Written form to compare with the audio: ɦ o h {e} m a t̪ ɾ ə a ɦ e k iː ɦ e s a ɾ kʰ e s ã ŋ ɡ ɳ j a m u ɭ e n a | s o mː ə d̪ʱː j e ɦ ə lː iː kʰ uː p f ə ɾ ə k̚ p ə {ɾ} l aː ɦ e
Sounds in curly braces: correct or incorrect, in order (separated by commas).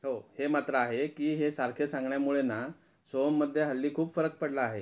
correct, incorrect